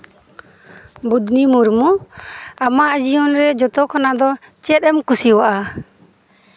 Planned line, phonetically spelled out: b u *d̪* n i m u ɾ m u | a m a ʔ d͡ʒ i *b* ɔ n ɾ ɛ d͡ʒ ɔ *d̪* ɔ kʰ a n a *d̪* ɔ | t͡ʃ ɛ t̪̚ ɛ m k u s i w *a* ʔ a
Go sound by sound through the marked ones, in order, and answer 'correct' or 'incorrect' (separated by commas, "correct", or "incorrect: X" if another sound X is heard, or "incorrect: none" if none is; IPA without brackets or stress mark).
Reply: correct, incorrect: none, incorrect: t̪, correct, correct